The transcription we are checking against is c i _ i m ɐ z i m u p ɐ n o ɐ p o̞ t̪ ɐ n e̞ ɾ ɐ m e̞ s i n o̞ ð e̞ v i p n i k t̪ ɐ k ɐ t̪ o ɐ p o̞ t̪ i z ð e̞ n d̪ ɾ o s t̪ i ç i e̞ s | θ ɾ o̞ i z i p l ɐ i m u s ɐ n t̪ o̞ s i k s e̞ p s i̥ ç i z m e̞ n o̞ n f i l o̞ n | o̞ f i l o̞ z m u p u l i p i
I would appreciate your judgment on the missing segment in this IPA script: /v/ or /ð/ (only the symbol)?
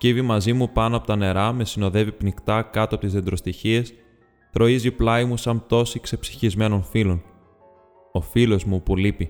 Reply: v